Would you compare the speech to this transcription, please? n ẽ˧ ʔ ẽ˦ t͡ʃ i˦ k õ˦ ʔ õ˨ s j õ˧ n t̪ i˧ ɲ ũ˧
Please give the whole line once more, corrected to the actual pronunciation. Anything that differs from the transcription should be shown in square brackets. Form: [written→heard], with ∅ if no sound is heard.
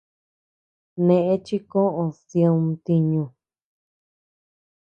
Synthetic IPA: n ẽ˧ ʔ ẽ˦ t͡ʃ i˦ k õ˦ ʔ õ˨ s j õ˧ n t̪ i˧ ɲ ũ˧